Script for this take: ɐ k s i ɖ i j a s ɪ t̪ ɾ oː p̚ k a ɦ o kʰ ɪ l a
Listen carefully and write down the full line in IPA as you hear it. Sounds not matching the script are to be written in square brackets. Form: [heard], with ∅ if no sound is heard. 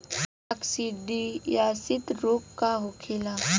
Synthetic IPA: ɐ k s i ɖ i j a s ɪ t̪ ɾ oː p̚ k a ɦ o kʰ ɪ l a